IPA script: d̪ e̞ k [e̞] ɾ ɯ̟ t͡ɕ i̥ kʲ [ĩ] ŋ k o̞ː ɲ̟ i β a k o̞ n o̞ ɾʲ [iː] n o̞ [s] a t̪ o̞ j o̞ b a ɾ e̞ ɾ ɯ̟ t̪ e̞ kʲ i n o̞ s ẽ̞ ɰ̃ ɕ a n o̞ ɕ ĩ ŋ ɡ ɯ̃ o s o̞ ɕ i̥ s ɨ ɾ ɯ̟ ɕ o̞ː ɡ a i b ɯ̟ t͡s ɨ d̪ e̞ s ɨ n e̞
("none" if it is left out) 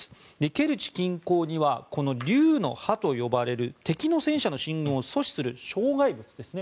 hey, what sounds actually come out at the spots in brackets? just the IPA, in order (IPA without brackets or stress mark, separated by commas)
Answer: e̞, ĩ, ɨː, h